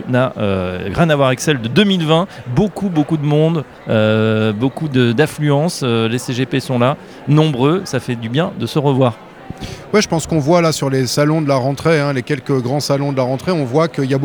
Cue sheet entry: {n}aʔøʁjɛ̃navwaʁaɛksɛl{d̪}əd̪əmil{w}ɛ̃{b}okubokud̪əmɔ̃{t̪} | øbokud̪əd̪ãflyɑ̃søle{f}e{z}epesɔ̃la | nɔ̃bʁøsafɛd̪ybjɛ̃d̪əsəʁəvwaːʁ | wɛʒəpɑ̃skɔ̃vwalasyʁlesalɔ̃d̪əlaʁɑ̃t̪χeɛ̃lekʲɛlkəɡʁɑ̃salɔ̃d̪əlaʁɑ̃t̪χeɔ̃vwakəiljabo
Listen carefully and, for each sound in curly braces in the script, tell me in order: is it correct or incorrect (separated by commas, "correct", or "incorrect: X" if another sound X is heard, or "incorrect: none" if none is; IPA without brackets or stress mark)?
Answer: correct, correct, incorrect: v, correct, incorrect: d̪, incorrect: s, incorrect: ʒ